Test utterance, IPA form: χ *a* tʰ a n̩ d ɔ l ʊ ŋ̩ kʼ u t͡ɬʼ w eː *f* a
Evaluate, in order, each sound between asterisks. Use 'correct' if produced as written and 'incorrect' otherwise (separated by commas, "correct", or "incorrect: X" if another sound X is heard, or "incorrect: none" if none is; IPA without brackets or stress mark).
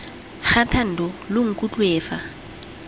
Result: correct, correct